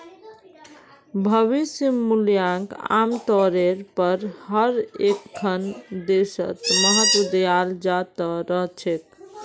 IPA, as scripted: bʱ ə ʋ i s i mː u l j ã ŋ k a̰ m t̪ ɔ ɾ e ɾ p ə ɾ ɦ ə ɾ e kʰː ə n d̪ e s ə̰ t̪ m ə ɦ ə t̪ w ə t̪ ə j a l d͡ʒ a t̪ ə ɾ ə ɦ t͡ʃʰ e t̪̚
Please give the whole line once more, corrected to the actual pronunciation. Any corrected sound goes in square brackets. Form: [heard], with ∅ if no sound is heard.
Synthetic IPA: bʱ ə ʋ i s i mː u l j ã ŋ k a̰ m t̪ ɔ ɾ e ɾ p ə ɾ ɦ ə ɾ e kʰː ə n d̪ e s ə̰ t̪ m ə ɦ ə t̪ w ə [d̪] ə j a l d͡ʒ a t̪ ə ɾ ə ɦ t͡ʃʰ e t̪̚